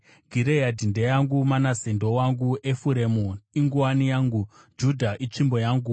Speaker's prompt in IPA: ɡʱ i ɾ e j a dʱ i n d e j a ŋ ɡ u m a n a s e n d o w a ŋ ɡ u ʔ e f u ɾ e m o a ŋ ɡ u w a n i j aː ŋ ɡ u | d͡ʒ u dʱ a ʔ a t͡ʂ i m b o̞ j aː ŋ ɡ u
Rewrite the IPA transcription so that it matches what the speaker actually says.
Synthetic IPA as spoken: ɡʱ i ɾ e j a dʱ i n d e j a ŋ ɡ u m a n a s e n d o w a ŋ ɡ u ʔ e f u ɾ e m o i ŋ ɡ u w a n i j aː ŋ ɡ u | d͡ʒ u dʱ a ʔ i t͡ʂ i m b o̞ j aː ŋ ɡ u